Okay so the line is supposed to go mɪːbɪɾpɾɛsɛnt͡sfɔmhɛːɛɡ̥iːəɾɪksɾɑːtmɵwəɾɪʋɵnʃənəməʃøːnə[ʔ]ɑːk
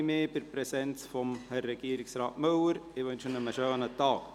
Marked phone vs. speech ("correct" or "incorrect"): incorrect